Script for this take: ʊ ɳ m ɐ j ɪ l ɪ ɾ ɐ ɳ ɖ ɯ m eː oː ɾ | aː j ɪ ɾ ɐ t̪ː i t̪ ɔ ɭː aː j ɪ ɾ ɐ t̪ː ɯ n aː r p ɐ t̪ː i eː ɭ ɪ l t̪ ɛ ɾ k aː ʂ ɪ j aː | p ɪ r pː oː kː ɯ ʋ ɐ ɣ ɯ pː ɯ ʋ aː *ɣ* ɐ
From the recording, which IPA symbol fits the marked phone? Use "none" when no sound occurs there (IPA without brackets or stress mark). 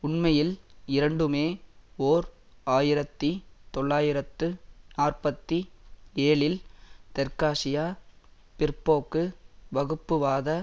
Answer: ð